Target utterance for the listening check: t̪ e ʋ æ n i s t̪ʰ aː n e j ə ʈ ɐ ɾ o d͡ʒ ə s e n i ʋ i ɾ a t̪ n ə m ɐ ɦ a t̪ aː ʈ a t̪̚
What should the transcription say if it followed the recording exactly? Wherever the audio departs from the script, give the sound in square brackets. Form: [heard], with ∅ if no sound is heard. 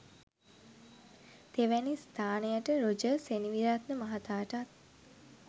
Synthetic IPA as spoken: t̪ e ʋ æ n i s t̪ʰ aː n e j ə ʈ [ə] ɾ o d͡ʒ ə s e n i ʋ i ɾ a t̪ n ə m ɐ ɦ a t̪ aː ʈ a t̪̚